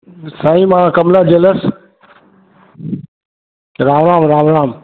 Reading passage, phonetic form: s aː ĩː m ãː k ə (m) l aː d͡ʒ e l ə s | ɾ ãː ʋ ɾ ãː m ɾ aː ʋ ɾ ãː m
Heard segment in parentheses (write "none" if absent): m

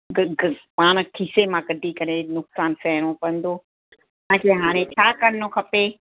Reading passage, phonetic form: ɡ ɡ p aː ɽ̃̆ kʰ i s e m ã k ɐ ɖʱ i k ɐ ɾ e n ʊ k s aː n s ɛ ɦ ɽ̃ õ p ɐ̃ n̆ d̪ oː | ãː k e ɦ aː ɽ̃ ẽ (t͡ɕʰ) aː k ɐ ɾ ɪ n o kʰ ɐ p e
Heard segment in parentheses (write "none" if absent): t͡ɕʰ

